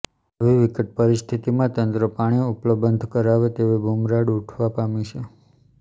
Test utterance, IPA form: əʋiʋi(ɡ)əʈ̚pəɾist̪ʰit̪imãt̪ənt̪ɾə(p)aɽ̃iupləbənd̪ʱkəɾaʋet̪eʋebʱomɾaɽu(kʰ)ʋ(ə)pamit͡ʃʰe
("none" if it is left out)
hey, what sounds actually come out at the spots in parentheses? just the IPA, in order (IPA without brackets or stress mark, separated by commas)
k, p, ʈʰ, a